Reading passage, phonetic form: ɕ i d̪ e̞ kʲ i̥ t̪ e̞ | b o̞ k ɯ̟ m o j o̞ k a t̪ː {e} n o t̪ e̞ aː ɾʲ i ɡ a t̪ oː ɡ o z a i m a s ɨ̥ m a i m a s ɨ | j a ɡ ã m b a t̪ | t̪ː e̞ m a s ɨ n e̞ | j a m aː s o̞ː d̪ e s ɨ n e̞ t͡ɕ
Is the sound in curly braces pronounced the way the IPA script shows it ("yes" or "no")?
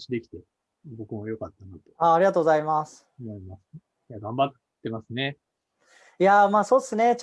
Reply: no